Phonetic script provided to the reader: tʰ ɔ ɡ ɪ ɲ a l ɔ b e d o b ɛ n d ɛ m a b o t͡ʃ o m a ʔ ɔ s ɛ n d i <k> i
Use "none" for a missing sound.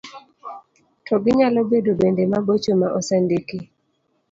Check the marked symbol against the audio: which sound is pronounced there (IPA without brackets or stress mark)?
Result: k